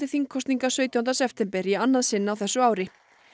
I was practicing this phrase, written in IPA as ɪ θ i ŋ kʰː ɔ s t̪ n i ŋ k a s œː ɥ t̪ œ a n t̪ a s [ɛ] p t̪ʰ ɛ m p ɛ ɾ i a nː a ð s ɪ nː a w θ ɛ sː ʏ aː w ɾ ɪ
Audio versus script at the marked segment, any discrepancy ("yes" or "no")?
no